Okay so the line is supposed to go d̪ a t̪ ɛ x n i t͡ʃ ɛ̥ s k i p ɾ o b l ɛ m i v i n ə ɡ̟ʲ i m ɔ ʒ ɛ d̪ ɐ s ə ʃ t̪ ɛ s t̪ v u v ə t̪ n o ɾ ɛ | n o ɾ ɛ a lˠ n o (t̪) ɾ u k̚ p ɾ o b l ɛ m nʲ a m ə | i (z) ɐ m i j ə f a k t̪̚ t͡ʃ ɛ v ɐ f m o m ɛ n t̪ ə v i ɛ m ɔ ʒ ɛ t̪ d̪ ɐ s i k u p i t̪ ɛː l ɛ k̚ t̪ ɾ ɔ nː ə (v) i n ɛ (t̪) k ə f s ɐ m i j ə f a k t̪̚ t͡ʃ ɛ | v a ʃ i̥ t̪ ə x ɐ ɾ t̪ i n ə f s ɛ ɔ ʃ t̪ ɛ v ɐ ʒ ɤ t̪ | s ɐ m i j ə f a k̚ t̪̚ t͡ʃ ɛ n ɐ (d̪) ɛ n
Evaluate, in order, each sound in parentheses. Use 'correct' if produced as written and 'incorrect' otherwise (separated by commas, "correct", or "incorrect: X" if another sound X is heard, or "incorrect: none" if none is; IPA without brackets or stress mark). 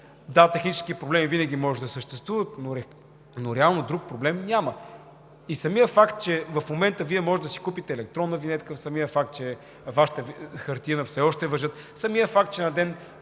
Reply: incorrect: d̪, incorrect: s, correct, correct, correct